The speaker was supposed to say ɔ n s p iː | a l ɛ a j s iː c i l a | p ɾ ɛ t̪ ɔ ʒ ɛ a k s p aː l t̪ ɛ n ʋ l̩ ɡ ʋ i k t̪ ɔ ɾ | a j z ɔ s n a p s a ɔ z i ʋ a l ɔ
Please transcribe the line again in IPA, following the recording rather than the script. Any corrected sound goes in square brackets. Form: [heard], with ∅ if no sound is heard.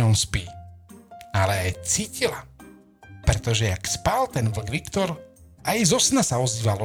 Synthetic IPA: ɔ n s p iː | a l ɛ a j [t͡s] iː c i l a | p ɾ ɛ t̪ ɔ ʒ ɛ a k s p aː l t̪ ɛ n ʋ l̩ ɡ ʋ i k t̪ ɔ ɾ | a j z ɔ s n a [∅] s a ɔ z [iː] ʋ a l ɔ